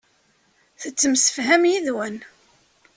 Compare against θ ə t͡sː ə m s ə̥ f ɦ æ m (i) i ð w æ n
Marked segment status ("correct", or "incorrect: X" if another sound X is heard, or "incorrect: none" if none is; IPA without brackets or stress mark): incorrect: j